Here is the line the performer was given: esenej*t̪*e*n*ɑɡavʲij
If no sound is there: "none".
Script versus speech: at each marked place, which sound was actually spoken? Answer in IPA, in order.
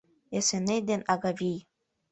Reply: d̪, n

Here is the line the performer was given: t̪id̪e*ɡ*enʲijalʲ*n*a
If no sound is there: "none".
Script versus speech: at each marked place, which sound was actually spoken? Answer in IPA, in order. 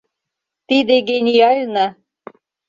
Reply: ɡ, n

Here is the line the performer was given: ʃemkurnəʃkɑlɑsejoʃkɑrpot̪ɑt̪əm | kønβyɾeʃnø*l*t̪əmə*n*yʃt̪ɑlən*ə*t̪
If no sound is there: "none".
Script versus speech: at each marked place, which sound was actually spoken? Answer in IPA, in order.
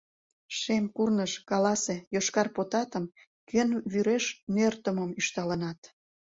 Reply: r, m, ɑ

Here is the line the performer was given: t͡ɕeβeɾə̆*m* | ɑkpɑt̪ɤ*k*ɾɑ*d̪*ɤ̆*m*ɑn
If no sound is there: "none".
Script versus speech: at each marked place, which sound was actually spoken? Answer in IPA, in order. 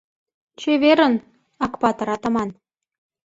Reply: n, none, t̪, m

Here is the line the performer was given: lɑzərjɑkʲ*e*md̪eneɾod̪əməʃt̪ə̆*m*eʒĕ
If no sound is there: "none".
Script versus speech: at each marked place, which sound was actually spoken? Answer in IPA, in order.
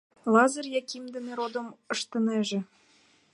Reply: i, n

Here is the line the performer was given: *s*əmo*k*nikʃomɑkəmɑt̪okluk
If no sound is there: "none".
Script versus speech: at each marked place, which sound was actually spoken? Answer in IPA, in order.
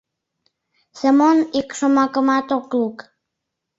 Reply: s, none

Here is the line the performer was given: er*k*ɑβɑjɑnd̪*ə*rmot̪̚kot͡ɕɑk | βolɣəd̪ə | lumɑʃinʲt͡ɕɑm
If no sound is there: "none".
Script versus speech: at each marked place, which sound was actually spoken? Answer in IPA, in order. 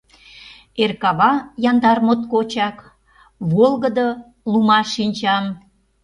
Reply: k, ɑ

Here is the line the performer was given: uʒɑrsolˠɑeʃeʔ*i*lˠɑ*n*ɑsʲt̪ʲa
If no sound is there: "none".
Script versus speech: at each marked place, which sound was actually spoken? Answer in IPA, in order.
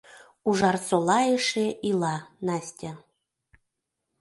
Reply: i, n

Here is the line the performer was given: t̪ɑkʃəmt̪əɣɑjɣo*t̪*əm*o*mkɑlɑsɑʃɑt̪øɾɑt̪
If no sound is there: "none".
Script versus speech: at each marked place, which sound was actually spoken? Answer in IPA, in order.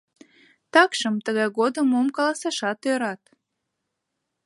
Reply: d̪, o

